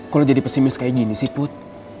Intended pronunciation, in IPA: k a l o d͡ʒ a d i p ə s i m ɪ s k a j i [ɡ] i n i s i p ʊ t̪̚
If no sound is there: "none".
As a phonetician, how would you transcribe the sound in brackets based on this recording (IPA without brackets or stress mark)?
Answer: ɡ